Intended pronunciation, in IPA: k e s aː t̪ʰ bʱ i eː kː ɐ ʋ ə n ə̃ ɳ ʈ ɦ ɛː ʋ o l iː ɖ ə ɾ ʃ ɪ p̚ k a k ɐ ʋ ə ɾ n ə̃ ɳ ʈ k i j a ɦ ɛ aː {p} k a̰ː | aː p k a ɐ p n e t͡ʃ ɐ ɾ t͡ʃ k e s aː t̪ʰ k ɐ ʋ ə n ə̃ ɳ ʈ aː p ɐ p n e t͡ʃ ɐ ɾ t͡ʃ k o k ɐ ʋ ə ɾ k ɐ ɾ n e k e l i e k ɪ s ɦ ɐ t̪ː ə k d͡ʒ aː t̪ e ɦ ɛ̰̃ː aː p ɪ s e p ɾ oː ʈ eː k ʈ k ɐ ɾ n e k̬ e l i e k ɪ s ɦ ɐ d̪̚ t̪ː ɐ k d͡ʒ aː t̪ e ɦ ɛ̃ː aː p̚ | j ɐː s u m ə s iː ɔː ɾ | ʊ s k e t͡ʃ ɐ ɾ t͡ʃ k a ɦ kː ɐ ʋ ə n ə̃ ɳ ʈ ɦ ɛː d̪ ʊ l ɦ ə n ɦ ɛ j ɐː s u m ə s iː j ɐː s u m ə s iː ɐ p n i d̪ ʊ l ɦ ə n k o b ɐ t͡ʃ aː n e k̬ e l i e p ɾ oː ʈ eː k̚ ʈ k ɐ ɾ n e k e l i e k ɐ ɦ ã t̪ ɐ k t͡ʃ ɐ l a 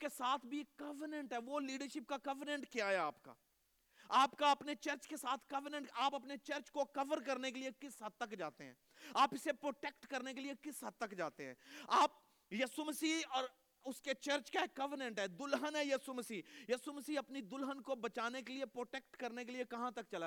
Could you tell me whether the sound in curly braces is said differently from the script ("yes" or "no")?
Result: no